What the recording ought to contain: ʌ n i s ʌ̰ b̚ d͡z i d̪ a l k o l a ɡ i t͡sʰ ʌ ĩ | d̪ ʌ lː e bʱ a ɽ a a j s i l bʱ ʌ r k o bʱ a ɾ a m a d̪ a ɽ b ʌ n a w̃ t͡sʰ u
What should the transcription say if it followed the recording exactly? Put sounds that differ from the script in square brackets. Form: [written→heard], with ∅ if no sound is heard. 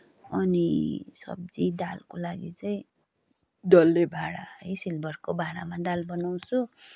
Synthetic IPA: ʌ n i s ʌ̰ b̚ d͡z i d̪ a l k o l a ɡ i [t͡sʰ→t͡s] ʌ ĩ | d̪ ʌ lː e bʱ a ɽ a [a→ʌ] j s i l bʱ ʌ r k o bʱ a [ɾ→ɽ] a m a d̪ a [ɽ→l] b ʌ n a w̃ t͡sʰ u